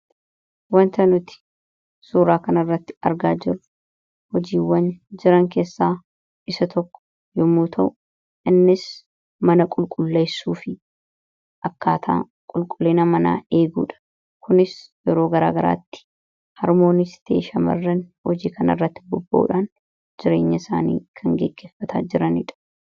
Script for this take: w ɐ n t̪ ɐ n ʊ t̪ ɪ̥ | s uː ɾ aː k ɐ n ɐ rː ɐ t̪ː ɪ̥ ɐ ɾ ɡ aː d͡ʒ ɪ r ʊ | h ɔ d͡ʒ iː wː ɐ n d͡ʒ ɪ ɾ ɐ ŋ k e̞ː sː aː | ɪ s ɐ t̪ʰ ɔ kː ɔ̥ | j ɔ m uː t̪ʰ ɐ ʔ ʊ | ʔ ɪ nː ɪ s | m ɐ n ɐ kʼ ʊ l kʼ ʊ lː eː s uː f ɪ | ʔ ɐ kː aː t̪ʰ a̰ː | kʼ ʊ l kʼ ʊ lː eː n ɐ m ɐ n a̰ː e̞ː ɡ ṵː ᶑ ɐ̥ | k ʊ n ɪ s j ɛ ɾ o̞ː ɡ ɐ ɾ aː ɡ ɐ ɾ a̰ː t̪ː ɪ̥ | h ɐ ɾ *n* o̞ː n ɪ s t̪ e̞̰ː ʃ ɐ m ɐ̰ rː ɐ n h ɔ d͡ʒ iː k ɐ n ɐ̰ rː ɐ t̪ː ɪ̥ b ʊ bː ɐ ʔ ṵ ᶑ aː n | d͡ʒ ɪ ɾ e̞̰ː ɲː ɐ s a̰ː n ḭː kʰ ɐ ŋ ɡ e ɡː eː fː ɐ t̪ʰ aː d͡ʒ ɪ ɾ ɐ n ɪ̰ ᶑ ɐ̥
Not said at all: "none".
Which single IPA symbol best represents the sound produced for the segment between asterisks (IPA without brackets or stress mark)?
m